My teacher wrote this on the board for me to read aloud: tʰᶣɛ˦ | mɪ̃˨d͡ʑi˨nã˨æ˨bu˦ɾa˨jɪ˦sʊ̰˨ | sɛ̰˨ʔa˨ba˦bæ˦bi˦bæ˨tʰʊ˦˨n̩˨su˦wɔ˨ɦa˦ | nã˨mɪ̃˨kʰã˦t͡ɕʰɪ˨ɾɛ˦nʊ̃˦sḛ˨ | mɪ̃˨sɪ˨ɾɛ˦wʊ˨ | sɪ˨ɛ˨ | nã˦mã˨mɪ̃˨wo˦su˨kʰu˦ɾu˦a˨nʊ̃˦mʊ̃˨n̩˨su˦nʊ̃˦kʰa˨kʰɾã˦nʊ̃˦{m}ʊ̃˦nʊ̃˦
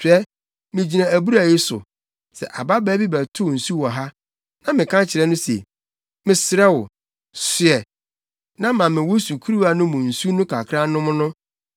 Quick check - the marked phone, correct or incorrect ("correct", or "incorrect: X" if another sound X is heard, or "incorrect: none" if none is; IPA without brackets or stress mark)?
correct